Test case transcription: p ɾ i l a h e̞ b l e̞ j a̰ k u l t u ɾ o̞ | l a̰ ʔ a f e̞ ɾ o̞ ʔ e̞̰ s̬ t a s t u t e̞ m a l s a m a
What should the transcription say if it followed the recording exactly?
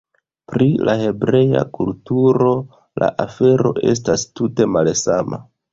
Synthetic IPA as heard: p ɾ i l a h e̞ b ɾ e̞ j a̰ k u l t u ɾ o̞ | l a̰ ʔ a f e̞ ɾ o̞ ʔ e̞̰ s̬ t a s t u t e̞ m a l s a m a